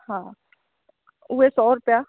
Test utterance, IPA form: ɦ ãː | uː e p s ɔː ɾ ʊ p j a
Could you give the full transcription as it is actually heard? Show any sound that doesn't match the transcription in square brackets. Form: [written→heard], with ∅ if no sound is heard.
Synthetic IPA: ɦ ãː | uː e [p→∅] s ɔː ɾ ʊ p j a